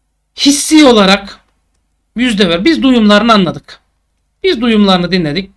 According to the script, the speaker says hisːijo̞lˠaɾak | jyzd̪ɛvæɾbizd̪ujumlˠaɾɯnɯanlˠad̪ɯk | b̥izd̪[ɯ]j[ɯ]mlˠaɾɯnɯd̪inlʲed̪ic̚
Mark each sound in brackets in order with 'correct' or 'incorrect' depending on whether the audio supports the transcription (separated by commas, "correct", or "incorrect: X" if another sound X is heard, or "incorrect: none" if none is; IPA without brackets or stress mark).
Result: incorrect: u, incorrect: u